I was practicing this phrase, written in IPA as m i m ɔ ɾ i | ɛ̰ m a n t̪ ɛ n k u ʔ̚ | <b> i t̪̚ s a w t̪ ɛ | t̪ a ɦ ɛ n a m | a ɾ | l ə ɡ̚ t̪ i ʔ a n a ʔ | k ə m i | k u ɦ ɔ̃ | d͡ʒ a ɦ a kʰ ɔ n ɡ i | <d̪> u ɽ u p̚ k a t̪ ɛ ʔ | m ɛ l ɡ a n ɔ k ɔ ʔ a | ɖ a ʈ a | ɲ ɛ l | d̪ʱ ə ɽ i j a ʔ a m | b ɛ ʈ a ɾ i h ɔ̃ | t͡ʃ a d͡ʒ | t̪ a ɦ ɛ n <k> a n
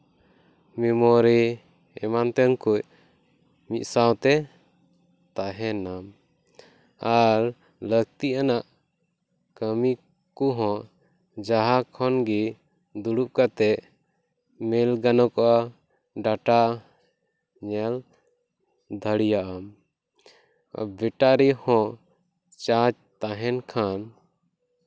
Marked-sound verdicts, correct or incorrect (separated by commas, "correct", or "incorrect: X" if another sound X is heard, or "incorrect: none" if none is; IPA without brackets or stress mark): incorrect: m, correct, incorrect: kʰ